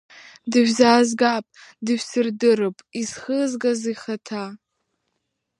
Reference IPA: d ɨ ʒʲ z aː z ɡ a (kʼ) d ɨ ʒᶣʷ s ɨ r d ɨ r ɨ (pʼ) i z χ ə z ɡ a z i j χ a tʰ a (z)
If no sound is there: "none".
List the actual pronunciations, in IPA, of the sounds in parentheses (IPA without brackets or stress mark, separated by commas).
pʼ, pʼ, none